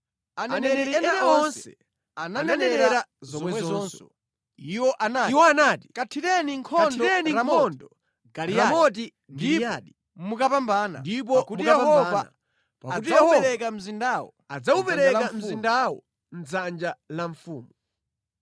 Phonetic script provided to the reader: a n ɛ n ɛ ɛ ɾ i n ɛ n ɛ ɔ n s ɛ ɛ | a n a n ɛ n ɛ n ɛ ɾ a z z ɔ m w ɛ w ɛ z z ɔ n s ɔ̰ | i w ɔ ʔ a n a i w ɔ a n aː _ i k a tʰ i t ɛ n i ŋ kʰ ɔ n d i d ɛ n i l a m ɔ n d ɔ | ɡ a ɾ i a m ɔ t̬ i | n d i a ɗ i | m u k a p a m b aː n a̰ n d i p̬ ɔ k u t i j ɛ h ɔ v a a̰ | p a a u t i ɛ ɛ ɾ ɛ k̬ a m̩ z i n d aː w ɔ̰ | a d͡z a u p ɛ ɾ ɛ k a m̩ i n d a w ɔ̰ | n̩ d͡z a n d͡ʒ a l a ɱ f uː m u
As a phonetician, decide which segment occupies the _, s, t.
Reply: t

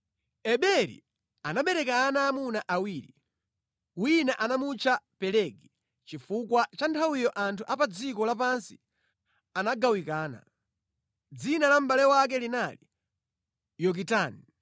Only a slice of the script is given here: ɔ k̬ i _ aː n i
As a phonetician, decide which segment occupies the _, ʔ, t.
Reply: t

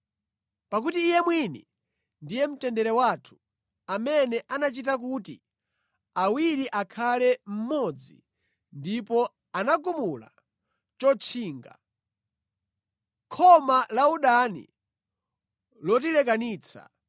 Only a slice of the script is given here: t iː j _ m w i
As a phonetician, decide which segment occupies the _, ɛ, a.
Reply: ɛ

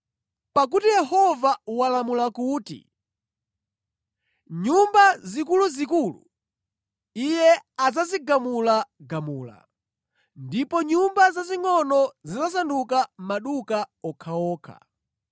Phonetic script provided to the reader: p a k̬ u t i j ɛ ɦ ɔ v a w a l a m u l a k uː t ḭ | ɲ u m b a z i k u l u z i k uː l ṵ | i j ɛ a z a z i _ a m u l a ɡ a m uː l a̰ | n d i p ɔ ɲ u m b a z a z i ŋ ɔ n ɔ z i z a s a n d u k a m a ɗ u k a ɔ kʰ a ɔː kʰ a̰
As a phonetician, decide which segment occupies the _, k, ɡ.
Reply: ɡ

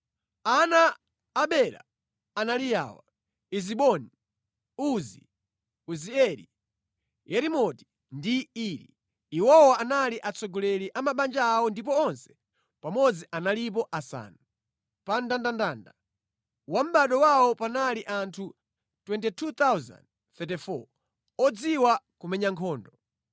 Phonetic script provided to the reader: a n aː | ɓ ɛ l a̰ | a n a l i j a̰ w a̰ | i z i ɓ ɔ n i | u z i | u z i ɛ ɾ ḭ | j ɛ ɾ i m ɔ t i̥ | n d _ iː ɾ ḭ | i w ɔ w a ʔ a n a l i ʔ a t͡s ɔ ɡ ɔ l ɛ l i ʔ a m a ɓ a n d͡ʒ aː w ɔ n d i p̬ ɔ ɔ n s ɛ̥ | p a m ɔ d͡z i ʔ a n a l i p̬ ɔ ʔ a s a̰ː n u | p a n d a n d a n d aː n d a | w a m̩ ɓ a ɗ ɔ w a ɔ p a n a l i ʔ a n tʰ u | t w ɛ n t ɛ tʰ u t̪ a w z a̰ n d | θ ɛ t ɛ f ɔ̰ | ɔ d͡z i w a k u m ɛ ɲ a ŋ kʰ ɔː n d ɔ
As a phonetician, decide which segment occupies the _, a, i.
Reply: i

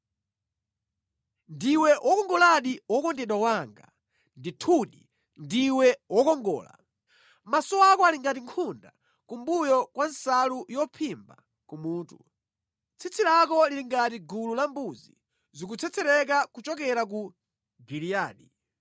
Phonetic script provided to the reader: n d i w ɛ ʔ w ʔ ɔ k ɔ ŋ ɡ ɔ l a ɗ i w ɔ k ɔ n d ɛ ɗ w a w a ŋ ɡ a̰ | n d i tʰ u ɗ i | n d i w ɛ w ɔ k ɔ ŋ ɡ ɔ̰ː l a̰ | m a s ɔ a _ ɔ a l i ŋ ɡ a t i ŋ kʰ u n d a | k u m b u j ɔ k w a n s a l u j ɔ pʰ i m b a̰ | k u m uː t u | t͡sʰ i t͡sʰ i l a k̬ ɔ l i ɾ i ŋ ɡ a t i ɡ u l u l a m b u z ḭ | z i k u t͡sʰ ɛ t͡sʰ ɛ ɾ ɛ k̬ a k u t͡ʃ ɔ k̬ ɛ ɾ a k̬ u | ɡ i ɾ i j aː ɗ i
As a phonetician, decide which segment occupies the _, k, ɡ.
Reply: k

